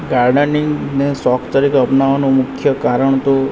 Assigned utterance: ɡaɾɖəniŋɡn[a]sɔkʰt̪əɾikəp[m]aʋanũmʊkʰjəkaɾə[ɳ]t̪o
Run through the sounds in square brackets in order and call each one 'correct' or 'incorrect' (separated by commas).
incorrect, incorrect, correct